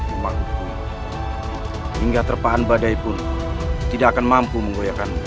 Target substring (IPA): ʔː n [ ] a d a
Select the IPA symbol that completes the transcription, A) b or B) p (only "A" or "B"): A